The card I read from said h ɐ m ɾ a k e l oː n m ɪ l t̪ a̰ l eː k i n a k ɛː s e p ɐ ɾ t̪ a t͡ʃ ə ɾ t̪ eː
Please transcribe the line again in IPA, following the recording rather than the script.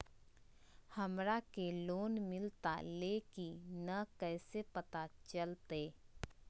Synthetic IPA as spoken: h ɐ m ɾ a k e l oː n m ɪ l t̪ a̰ l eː k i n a k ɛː s e p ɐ t̪ a t͡ʃ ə l t̪ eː